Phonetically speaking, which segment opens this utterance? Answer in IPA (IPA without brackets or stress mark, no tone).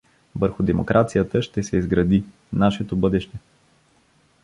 v